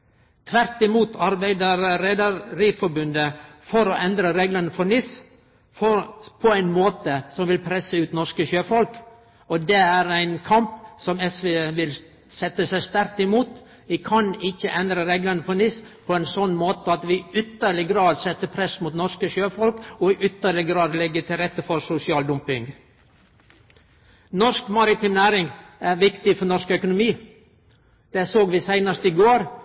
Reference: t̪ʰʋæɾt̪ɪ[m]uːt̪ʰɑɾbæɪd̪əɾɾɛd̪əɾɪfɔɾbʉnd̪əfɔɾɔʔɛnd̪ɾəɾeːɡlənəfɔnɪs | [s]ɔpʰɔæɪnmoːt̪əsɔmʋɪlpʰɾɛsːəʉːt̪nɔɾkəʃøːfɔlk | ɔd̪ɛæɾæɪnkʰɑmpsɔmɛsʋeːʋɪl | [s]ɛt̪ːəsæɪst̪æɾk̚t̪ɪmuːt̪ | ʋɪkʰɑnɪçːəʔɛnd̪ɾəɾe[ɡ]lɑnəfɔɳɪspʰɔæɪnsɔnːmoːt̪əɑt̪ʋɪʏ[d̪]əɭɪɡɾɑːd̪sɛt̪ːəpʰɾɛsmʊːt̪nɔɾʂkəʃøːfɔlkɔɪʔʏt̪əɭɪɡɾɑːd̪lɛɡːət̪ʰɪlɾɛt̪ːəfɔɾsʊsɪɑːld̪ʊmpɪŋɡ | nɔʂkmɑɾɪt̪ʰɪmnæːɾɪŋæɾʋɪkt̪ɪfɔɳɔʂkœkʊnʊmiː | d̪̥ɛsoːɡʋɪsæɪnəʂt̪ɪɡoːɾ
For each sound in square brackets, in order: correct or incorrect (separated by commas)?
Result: correct, incorrect, correct, correct, incorrect